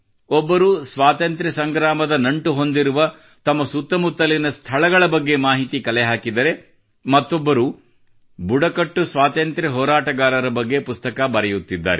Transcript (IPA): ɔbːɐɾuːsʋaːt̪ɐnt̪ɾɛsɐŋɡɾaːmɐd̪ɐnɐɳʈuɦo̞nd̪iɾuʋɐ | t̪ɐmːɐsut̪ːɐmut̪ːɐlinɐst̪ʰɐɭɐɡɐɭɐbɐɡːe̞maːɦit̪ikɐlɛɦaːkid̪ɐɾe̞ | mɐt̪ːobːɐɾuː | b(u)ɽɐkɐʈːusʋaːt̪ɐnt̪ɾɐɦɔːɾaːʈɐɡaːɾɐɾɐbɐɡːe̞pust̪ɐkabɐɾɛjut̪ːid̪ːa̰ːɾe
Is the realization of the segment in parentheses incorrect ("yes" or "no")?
no